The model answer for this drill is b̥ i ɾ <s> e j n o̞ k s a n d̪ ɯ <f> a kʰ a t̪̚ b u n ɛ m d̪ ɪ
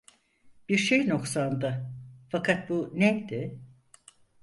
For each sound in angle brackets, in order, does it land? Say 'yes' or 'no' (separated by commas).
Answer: no, yes